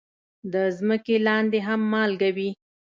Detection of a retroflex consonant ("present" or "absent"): absent